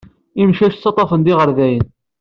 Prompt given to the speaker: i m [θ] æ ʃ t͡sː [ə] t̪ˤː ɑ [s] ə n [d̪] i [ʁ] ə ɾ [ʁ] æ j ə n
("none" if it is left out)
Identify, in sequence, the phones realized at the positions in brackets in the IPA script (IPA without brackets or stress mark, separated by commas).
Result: ʃ, ɑ, f, d̪, ʁ, ð